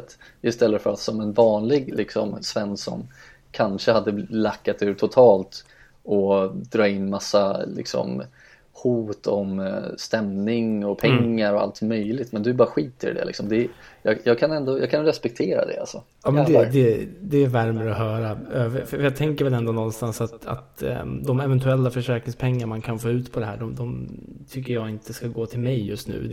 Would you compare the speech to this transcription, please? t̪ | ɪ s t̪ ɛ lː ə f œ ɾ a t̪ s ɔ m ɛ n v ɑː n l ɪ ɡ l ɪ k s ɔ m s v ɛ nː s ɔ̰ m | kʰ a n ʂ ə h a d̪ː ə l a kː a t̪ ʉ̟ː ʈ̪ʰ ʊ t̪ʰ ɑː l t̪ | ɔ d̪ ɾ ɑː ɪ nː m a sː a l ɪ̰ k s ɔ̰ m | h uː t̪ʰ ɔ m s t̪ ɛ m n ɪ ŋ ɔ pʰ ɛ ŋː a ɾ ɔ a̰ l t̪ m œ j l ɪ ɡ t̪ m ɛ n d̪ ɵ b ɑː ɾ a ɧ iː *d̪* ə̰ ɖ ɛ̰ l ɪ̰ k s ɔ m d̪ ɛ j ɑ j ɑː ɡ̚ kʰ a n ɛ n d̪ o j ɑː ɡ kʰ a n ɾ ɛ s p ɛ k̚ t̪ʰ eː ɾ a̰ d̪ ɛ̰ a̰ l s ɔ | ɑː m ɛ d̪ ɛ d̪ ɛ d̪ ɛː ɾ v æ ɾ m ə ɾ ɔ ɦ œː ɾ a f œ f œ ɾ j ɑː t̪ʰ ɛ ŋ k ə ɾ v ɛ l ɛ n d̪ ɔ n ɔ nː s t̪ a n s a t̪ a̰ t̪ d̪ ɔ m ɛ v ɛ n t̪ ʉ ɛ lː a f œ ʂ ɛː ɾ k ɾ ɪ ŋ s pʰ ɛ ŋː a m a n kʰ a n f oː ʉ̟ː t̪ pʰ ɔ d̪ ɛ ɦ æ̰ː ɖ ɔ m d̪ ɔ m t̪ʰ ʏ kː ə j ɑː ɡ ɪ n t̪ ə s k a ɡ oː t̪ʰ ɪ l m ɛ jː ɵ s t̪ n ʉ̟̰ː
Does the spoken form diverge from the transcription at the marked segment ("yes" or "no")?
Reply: yes